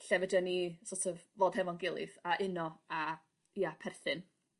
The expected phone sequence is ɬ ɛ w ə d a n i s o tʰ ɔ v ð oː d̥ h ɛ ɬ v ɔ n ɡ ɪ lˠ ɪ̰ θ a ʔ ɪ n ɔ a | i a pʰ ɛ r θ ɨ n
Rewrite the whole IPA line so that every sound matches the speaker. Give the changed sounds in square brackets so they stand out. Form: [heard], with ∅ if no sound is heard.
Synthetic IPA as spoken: ɬ ɛ [v] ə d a n i s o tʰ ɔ v [v] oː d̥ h ɛ [∅] v ɔ n ɡ ɪ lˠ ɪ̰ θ a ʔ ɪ n ɔ a | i a pʰ ɛ r θ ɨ n